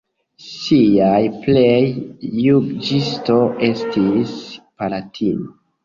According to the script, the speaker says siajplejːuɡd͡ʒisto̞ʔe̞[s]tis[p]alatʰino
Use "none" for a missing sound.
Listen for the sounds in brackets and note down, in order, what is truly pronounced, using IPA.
s, p

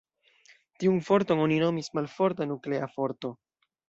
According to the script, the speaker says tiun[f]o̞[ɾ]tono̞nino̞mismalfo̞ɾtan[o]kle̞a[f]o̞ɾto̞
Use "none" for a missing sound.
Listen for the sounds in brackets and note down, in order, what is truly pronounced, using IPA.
f, ɾ, u, f

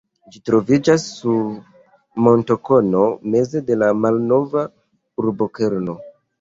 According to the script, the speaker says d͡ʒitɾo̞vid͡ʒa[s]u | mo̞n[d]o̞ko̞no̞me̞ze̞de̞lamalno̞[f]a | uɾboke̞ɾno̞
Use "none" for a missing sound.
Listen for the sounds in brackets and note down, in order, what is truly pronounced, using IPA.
sː, t, v

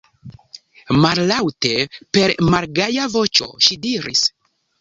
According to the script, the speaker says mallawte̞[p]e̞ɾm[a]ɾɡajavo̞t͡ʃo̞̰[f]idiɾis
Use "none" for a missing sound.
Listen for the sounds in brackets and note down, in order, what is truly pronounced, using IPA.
p, a, ʃ

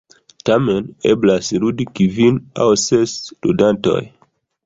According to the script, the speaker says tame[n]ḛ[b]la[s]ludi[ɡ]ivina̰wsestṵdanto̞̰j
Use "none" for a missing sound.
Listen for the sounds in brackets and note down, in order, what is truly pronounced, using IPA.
n, b, s, k

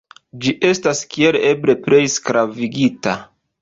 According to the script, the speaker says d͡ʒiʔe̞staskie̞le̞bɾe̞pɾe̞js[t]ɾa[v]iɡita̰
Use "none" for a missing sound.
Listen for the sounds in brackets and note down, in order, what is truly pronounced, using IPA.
k, v

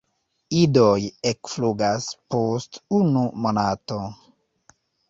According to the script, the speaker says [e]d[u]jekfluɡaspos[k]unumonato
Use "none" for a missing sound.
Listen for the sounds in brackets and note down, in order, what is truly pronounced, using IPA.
i, o, t

